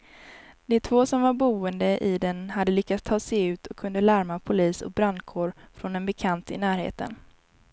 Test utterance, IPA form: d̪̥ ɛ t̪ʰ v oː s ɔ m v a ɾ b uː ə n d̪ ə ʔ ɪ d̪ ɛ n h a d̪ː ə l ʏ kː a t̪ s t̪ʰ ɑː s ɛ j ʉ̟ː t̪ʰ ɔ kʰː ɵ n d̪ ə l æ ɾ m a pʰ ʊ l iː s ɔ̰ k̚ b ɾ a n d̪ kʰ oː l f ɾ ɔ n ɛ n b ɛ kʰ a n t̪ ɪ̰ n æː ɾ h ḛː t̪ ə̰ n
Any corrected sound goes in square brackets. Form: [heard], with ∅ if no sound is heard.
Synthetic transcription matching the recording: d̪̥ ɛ t̪ʰ v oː s ɔ m v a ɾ b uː ə n d̪ ə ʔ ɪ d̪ ɛ n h a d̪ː ə l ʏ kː a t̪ s t̪ʰ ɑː s ɛ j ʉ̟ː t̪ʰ ɔ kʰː ɵ n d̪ ə l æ ɾ m a pʰ ʊ l iː s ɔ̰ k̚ b ɾ a n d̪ kʰ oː [ɾ] f ɾ ɔ n ɛ n b ɛ kʰ a n t̪ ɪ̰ n æː ɾ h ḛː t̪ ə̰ n